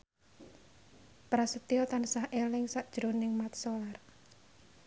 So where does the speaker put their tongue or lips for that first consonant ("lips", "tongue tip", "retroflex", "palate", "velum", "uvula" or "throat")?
lips